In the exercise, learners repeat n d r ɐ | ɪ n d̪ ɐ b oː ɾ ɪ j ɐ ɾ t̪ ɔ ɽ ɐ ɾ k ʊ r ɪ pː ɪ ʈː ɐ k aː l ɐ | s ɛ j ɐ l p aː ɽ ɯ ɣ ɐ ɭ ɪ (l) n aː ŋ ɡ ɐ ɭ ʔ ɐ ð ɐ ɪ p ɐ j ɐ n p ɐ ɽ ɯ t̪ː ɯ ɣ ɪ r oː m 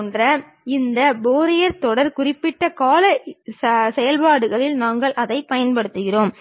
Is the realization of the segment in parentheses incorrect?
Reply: no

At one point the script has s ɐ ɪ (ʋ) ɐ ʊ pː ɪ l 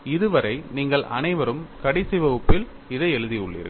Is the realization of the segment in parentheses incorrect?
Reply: no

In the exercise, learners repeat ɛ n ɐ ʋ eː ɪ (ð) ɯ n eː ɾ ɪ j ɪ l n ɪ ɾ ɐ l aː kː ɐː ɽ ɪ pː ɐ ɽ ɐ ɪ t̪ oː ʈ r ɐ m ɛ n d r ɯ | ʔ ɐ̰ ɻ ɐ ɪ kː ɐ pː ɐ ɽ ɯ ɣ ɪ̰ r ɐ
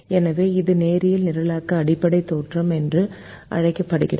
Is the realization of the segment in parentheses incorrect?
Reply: no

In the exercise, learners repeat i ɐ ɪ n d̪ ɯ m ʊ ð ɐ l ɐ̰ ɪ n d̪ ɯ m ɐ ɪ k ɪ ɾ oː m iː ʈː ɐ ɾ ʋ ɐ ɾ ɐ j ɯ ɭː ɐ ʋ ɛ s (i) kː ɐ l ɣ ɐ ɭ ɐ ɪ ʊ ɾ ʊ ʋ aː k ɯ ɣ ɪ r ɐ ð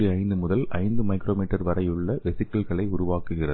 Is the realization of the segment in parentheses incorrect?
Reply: yes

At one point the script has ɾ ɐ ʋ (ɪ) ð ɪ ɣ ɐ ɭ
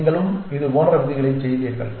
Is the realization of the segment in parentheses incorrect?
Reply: no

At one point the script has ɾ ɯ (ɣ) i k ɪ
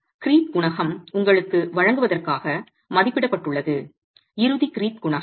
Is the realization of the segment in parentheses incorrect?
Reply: yes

